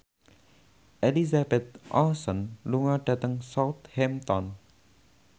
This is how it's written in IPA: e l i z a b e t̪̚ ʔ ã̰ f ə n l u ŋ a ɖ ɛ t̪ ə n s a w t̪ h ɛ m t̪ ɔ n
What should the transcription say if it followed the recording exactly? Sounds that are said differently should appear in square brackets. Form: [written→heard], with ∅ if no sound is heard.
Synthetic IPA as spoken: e l i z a b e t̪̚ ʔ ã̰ [f→s] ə n l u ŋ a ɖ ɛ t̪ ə [n→ŋ] s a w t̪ h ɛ m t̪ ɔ n